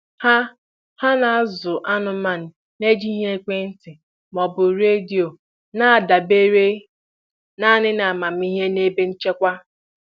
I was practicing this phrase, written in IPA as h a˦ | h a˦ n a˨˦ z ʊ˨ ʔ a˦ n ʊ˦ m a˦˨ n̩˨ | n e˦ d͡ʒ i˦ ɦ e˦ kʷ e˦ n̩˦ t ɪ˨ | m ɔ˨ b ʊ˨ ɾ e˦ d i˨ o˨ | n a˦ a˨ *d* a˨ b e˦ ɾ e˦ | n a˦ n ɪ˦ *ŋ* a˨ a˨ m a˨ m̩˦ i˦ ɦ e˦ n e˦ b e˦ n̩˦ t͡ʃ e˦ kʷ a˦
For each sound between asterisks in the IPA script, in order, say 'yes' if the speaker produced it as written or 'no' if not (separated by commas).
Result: yes, no